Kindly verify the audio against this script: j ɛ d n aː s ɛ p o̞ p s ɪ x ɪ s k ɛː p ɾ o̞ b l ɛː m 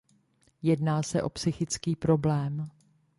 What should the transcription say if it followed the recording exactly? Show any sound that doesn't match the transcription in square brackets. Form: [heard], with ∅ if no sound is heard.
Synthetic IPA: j ɛ d n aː s ɛ [ʔ] o̞ p s ɪ x ɪ [t͡s] k [iː] p ɾ o̞ b l ɛː m

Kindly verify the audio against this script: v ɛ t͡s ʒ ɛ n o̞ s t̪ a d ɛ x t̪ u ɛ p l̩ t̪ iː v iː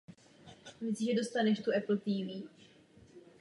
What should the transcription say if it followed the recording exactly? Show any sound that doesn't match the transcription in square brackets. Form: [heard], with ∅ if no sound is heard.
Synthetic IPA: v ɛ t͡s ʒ ɛ [d] o̞ s t̪ a [n] ɛ [ʃ] t̪ u ɛ p l̩ t̪ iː v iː

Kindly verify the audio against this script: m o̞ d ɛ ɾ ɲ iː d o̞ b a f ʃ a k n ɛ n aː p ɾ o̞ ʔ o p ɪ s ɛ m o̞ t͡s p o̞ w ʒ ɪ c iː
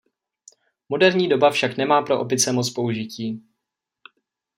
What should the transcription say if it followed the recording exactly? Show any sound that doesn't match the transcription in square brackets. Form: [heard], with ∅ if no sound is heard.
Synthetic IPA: m o̞ d ɛ ɾ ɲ iː d o̞ b a f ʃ a k n ɛ [m] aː p ɾ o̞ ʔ o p ɪ [t͡s] ɛ m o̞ t͡s p o̞ [u] ʒ ɪ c iː

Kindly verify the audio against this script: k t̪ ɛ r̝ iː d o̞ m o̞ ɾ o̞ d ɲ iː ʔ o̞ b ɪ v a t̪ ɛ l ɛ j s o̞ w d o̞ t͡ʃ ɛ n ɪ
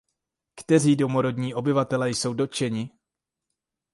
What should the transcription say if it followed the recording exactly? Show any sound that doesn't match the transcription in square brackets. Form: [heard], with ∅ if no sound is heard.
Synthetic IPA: k t̪ ɛ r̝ iː d o̞ m o̞ ɾ o̞ d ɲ iː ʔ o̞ b ɪ v a t̪ ɛ l ɛ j s o̞ w d o̞ t͡ʃ ɛ [ɲ] ɪ

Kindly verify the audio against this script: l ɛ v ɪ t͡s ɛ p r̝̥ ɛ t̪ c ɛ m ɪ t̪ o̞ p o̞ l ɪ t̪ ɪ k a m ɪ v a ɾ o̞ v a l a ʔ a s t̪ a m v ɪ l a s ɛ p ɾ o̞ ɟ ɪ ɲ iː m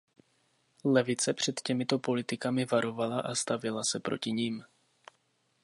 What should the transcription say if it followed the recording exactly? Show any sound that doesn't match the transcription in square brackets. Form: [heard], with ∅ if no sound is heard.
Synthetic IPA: l ɛ v ɪ t͡s ɛ p r̝̥ ɛ t̪ c ɛ m ɪ t̪ o̞ p o̞ l ɪ t̪ ɪ k a m ɪ v a ɾ o̞ v a l a ʔ a s t̪ a [∅] v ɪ l a s ɛ p ɾ o̞ [c] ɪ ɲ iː m

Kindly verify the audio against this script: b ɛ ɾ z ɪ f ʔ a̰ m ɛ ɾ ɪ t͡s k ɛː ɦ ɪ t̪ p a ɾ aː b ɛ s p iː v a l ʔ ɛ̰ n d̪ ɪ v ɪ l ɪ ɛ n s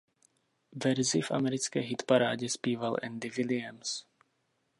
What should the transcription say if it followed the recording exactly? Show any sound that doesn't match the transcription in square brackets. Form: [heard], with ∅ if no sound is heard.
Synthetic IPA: [v] ɛ ɾ z ɪ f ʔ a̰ m ɛ ɾ ɪ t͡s k ɛː ɦ ɪ t̪ p a ɾ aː [ɟ] ɛ s p iː v a l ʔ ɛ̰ n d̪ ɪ v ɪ l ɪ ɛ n s

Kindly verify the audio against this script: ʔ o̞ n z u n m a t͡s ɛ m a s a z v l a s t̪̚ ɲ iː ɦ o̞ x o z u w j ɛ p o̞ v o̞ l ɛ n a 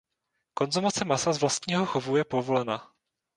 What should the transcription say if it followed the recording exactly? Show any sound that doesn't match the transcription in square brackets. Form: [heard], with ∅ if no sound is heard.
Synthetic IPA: [k] o̞ n z u [∅] m a t͡s ɛ m a s a z v l a s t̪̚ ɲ iː ɦ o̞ x o [v] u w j ɛ p o̞ v o̞ l ɛ n a

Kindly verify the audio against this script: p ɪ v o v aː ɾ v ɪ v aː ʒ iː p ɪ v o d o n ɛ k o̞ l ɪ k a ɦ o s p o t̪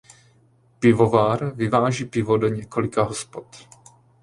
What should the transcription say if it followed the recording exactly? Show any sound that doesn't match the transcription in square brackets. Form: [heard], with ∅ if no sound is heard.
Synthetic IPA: p ɪ v o v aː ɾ v ɪ v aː ʒ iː p ɪ v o d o [ɲ] ɛ k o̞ l ɪ k a ɦ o s p o t̪

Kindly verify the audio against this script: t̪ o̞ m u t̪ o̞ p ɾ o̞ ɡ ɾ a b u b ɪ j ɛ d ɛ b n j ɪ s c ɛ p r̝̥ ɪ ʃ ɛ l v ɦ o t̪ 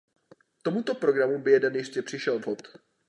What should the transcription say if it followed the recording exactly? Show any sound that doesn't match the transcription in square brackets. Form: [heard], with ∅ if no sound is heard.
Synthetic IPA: t̪ o̞ m u t̪ o̞ p ɾ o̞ ɡ ɾ a [m] u b ɪ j ɛ d ɛ [∅] n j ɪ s c ɛ p r̝̥ ɪ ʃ ɛ l v ɦ o t̪

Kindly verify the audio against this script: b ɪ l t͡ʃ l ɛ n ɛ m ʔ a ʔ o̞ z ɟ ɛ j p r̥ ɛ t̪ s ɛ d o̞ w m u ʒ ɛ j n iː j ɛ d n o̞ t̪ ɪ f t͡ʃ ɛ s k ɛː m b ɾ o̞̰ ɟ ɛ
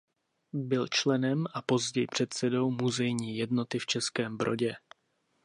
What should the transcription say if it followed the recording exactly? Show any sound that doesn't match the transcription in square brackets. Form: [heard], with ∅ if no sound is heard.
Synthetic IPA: b ɪ l t͡ʃ l ɛ n ɛ m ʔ a [p] o̞ z ɟ ɛ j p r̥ ɛ t̪ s ɛ d o̞ w m u [z] ɛ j [ɲ] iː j ɛ d n o̞ t̪ ɪ f t͡ʃ ɛ s k ɛː m b ɾ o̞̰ ɟ ɛ

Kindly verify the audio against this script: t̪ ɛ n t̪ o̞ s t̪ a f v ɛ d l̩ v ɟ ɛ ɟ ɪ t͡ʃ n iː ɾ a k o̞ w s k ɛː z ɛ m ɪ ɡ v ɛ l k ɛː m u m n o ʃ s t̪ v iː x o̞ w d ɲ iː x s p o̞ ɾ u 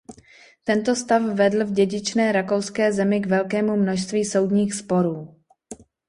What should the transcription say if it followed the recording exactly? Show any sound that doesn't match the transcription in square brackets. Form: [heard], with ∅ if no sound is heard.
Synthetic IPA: t̪ ɛ n t̪ o̞ s t̪ a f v ɛ d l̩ v ɟ ɛ ɟ ɪ t͡ʃ n [ɛː] ɾ a k o̞ w s k ɛː z ɛ m ɪ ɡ v ɛ l k ɛː m u m n o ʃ s t̪ v iː [s] o̞ w d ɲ iː x s p o̞ ɾ [uː]

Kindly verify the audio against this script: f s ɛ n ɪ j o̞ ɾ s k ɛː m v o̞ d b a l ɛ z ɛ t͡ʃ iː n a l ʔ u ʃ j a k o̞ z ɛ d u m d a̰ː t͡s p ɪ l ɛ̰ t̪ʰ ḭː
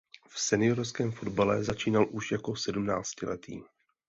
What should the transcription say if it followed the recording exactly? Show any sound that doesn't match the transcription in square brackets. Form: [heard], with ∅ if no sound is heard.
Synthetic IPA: f s ɛ n ɪ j o̞ ɾ s k ɛː m [f] o̞ d b a l ɛ z [a] t͡ʃ iː n a l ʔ u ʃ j a k o̞ [s] ɛ d u m [n] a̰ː t͡s [c] ɪ l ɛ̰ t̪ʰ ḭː

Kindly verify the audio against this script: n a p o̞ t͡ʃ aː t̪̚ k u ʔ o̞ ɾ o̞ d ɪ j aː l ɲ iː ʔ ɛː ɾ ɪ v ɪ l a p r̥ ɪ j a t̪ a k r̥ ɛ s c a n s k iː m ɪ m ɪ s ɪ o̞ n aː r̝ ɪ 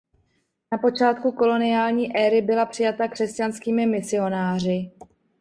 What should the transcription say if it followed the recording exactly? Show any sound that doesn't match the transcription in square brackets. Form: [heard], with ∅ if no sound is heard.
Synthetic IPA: n a p o̞ t͡ʃ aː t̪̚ k u [k] o̞ [l] o̞ [n] ɪ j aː l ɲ iː ʔ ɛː ɾ ɪ [b] ɪ l a p r̥ ɪ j a t̪ a k r̥ ɛ s c a n s k iː m ɪ m ɪ s ɪ o̞ n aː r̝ ɪ

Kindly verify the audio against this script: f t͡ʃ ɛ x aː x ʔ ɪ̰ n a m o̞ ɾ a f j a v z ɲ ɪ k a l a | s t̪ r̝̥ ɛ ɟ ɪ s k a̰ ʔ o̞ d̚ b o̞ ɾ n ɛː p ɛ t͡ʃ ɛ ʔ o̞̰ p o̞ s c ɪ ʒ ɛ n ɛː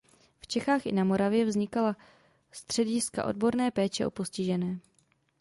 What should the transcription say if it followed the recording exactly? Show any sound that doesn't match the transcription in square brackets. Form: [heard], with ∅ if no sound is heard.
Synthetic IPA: f t͡ʃ ɛ x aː x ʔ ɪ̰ n a m o̞ ɾ a [v] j [ɛ] v z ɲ ɪ k a l a | s t̪ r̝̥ ɛ ɟ ɪ s k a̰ ʔ o̞ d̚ b o̞ ɾ n ɛː p [ɛː] t͡ʃ ɛ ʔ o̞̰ p o̞ s c ɪ ʒ ɛ n ɛː

